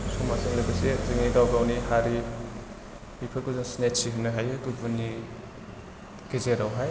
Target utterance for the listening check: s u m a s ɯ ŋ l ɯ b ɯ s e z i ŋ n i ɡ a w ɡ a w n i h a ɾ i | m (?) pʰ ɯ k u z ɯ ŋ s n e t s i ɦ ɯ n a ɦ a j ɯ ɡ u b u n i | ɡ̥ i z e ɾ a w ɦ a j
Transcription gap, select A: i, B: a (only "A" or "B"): A